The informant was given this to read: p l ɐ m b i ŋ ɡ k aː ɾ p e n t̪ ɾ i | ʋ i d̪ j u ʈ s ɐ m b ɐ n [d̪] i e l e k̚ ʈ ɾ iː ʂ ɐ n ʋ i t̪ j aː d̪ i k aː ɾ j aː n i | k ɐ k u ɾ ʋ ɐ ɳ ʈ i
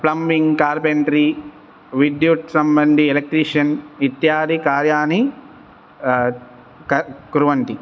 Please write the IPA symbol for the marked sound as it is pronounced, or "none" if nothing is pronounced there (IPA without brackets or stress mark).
d̪